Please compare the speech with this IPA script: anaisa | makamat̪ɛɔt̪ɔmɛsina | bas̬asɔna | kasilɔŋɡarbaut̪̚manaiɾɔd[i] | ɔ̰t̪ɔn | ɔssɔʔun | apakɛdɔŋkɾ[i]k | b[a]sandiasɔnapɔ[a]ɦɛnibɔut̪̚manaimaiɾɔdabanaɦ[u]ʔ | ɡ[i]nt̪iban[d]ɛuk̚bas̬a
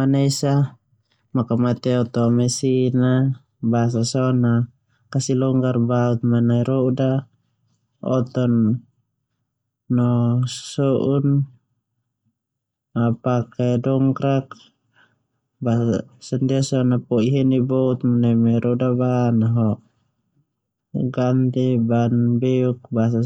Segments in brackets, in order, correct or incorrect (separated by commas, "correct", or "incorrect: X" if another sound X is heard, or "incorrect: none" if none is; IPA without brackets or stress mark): incorrect: a, incorrect: a, correct, incorrect: i, incorrect: ɔ, incorrect: a, incorrect: b